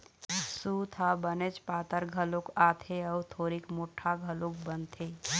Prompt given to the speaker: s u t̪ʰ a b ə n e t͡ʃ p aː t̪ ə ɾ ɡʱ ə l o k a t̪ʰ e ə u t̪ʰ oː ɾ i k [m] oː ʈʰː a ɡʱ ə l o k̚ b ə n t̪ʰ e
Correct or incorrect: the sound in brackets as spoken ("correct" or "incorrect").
correct